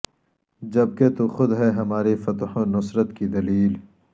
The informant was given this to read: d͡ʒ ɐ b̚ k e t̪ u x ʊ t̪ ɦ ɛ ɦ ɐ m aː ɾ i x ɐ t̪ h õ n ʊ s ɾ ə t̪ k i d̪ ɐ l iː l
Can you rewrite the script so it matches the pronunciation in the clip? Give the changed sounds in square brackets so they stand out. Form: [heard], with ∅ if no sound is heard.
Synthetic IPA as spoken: d͡ʒ ɐ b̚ k e t̪ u x ʊ [d̪] ɦ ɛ ɦ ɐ m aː ɾ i [f] ɐ t̪ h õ n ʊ s ɾ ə t̪ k i d̪ ɐ l iː l